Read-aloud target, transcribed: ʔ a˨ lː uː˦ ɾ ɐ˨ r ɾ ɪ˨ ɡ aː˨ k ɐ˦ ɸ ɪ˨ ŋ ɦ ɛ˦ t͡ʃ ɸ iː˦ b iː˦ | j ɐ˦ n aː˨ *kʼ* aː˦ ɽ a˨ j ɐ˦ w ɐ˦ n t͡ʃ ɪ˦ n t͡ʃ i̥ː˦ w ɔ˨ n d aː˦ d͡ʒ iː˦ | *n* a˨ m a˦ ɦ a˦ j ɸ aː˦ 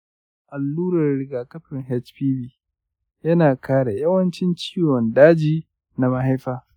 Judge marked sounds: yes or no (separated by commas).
no, yes